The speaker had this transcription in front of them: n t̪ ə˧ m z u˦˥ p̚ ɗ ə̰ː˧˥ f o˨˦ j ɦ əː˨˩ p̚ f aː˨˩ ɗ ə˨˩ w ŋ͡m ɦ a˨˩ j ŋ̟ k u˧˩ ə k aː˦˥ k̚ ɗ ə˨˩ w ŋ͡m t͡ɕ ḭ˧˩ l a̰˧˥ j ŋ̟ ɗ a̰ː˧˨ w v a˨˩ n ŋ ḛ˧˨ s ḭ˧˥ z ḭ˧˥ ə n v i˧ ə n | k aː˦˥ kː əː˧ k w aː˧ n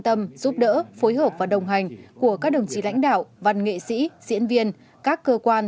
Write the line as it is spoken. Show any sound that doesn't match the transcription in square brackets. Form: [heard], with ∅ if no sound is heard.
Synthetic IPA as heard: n t̪ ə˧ m z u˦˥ p̚ ɗ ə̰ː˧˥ f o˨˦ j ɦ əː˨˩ p̚ [v] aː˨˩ ɗ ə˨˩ w ŋ͡m ɦ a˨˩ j ŋ̟ k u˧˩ ə k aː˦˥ k̚ ɗ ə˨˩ w ŋ͡m t͡ɕ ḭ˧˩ l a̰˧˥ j ŋ̟ ɗ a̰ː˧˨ w v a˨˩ n ŋ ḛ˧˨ s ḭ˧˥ z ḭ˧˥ ə n v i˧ ə n | k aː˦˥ kː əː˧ k w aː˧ n

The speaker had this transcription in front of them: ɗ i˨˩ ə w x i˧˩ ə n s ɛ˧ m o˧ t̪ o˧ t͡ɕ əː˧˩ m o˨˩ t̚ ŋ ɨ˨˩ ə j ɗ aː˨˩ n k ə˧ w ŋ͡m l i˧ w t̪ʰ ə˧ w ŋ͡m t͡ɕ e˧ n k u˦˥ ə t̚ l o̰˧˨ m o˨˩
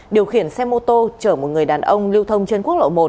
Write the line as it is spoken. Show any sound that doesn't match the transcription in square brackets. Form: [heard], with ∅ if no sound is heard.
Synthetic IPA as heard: ɗ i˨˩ ə w x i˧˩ ə n s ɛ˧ m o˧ t̪ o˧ t͡ɕ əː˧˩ m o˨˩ t̚ ŋ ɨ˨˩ ə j ɗ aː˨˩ n [ʔ] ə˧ w ŋ͡m l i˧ w t̪ʰ ə˧ w ŋ͡m t͡ɕ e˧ n k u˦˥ ə [k̚] l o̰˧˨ m o˨˩

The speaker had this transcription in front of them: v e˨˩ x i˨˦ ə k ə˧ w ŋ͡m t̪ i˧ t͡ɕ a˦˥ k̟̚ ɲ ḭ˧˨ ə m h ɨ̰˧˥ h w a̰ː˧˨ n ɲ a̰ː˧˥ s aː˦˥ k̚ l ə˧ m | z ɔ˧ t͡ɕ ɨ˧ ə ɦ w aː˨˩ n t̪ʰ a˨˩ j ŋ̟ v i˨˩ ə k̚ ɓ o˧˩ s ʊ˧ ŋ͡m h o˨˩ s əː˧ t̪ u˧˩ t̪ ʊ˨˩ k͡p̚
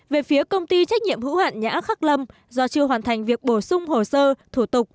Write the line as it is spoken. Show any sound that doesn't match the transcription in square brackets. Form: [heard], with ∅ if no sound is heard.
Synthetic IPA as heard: v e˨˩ [f] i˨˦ ə k ə˧ w ŋ͡m t̪ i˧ t͡ɕ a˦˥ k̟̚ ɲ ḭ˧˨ ə m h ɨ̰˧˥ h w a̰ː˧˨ n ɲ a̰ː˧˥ [x] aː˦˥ k̚ l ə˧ m | z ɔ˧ t͡ɕ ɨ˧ ə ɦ w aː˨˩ n t̪ʰ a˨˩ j ŋ̟ v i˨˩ ə k̚ ɓ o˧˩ s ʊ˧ ŋ͡m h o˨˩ s əː˧ [t̪ʰ] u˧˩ t̪ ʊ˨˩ k͡p̚

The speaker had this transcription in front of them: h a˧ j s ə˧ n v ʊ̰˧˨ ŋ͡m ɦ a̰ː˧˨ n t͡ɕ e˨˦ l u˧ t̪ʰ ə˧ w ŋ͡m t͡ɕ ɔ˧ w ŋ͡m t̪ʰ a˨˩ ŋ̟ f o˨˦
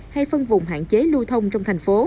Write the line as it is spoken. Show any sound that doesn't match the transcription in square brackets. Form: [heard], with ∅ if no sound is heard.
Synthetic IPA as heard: h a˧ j [f] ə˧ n v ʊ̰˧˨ ŋ͡m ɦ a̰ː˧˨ n t͡ɕ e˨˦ l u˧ t̪ʰ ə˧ w ŋ͡m t͡ɕ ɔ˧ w ŋ͡m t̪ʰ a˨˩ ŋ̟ f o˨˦

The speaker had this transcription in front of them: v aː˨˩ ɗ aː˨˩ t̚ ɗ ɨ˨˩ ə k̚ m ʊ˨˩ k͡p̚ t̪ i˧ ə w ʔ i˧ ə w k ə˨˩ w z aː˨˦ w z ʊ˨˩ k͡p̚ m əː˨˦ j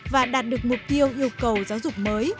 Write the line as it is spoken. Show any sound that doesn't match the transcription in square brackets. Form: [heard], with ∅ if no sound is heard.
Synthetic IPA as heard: v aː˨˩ ɗ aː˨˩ t̚ ɗ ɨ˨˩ ə k̚ m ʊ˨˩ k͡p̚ t̪ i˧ ə w ʔ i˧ ə w k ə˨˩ w z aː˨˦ w z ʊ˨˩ k͡p̚ m əː˨˦ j

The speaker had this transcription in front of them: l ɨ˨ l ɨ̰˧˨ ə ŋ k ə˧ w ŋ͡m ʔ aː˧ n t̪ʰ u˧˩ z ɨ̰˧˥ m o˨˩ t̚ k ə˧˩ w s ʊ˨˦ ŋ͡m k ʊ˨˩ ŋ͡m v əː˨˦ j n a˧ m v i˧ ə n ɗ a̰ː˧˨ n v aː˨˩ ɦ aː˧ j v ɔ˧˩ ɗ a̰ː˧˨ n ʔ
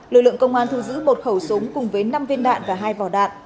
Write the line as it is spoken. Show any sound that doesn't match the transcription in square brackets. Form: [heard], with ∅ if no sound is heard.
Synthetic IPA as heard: l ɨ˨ l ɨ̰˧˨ ə ŋ k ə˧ w ŋ͡m ʔ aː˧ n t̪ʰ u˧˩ z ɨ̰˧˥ m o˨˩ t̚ [x] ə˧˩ w s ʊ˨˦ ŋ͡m k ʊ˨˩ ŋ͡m v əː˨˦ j n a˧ m v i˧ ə n ɗ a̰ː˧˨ n v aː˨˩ ɦ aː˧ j v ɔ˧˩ ɗ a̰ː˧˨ n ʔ

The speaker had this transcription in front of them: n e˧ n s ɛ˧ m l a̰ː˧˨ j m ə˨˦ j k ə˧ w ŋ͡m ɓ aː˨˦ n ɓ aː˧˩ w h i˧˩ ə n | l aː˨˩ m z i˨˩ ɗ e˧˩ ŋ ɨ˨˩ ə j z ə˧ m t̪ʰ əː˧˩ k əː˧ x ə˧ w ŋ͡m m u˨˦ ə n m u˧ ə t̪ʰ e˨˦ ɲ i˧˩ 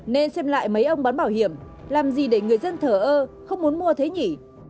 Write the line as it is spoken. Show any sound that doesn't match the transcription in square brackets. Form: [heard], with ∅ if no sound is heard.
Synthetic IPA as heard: n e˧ n s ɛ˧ m l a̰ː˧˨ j m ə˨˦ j [ʔ] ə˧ w ŋ͡m ɓ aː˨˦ n ɓ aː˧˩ w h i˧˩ ə [m] | l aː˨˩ m z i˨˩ ɗ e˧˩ ŋ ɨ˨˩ ə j z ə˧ [n] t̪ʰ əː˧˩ [ʔ] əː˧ x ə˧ w ŋ͡m m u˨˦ ə n m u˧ ə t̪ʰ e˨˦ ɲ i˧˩

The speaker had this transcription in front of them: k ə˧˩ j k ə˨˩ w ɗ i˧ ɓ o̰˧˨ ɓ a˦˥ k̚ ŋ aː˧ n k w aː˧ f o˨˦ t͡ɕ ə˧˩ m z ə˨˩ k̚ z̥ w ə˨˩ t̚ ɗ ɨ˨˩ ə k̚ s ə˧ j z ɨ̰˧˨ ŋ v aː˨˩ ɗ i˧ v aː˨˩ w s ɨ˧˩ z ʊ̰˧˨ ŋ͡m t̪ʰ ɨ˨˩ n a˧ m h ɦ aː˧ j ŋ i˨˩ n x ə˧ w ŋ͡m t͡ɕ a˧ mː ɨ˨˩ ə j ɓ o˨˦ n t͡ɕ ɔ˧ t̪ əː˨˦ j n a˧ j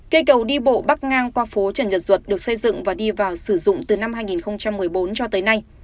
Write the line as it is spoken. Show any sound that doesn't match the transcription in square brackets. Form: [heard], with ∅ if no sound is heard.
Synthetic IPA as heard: k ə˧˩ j k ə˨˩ w ɗ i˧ ɓ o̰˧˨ ɓ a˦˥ k̚ ŋ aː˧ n k w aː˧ f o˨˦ t͡ɕ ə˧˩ [n] z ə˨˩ [t̚] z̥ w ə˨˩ t̚ ɗ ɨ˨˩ ə k̚ s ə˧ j z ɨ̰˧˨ ŋ v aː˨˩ ɗ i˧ v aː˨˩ w s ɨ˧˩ z ʊ̰˧˨ ŋ͡m [t̪] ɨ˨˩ n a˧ m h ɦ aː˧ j ŋ i˨˩ n x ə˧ w ŋ͡m t͡ɕ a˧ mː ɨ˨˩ ə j ɓ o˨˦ n t͡ɕ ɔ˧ t̪ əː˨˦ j n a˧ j

